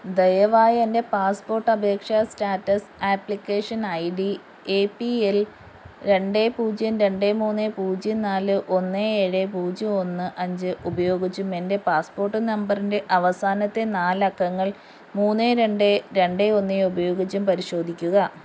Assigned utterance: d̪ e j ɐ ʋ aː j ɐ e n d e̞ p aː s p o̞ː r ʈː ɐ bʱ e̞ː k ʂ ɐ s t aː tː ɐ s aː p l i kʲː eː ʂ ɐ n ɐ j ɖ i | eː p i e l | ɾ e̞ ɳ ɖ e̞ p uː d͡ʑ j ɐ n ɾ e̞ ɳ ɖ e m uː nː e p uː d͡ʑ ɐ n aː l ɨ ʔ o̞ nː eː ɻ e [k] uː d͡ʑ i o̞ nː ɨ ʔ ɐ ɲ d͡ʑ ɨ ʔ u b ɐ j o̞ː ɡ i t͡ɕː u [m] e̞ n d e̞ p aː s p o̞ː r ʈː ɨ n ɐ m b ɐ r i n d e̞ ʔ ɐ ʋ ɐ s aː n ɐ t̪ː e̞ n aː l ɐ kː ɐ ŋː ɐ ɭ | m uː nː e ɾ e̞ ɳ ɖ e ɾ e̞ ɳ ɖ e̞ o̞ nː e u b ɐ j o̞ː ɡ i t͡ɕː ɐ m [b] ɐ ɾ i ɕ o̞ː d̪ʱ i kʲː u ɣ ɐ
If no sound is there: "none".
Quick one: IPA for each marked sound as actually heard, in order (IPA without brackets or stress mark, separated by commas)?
p, m, p